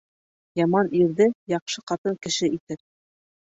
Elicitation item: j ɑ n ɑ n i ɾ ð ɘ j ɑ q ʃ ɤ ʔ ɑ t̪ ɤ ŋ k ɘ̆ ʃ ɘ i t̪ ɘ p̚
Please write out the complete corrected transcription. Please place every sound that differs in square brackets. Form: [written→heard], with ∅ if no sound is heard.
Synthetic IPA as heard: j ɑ [n→m] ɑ n i ɾ ð ɘ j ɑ q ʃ ɤ [ʔ→q] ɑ t̪ ɤ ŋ k ɘ̆ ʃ ɘ i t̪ ɘ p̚